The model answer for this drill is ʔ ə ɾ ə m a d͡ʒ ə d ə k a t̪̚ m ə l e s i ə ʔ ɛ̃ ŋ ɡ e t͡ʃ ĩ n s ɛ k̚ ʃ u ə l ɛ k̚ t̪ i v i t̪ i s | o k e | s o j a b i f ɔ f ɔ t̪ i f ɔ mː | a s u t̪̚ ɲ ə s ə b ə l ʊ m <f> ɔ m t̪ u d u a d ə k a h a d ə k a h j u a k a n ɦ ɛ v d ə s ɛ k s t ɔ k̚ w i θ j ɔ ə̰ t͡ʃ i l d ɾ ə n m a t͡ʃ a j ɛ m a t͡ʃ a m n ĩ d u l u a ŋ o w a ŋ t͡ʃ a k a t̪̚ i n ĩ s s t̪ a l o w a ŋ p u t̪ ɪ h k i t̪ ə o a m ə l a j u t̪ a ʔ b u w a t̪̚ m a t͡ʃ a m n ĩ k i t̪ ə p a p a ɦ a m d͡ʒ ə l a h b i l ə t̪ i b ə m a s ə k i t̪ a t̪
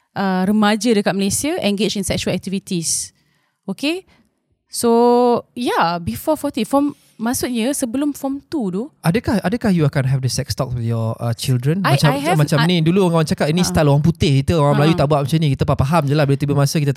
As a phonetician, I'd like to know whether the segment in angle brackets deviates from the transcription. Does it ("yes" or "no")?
no